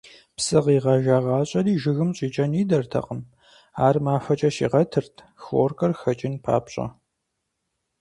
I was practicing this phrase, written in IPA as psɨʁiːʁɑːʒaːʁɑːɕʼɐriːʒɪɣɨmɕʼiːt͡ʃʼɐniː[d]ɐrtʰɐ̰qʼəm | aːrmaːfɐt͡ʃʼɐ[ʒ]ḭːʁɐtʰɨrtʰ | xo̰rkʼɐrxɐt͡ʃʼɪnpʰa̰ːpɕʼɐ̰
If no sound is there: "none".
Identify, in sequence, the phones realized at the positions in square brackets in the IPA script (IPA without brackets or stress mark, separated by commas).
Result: d, ʃ